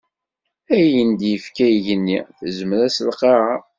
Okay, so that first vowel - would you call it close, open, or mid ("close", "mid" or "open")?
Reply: open